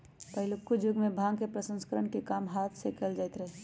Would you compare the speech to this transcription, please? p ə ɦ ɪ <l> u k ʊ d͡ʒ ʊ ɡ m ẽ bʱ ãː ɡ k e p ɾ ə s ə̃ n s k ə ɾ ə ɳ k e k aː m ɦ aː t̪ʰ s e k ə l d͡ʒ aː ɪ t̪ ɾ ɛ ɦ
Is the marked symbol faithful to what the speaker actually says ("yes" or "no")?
yes